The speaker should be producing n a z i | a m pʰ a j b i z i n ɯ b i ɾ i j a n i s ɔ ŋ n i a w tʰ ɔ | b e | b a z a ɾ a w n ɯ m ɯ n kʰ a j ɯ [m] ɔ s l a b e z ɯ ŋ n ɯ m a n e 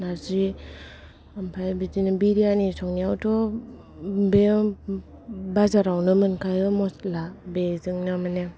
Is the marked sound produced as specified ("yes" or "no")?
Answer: yes